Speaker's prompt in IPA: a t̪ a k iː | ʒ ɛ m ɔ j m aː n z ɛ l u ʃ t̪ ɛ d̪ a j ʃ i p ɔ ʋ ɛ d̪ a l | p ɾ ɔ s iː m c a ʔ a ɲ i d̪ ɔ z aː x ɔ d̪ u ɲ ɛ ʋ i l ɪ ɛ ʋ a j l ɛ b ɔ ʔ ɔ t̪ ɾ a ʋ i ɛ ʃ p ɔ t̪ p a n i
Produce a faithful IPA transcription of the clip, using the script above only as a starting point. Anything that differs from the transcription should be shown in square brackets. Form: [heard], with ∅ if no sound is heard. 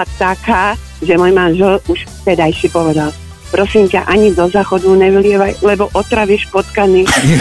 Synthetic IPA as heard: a t̪ a k [aː] | ʒ ɛ m ɔ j m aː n [ʒ] ɛ l u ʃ t̪ ɛ d̪ a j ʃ i p ɔ ʋ ɛ d̪ a l | p ɾ ɔ s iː m c a ʔ a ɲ i d̪ ɔ z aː x ɔ d̪ u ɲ ɛ ʋ i l ɪ ɛ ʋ a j l ɛ b ɔ ʔ ɔ t̪ ɾ a ʋ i ɛ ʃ p ɔ t̪ [k] a n i